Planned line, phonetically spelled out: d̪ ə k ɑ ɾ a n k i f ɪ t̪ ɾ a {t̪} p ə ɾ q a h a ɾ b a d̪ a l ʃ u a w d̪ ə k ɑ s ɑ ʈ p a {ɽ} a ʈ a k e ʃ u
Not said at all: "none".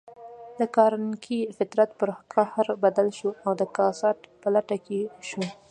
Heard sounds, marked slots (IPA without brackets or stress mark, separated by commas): t̪, l